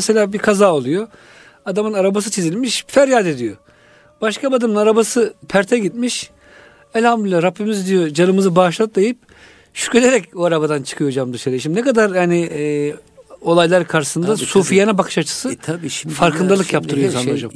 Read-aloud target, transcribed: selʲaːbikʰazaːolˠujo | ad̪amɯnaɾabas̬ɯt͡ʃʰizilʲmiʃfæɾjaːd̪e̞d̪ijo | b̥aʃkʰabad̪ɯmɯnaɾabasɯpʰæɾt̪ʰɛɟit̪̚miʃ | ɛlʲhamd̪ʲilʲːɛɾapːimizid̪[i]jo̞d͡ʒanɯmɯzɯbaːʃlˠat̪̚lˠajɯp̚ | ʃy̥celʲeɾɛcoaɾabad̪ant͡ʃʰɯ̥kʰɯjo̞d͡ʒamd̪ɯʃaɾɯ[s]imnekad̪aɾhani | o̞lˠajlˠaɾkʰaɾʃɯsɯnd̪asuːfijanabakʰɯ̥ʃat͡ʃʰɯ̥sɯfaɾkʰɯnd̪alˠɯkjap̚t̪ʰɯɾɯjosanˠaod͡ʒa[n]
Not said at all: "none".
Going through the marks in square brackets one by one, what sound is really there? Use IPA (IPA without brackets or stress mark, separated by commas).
i, ʃ, m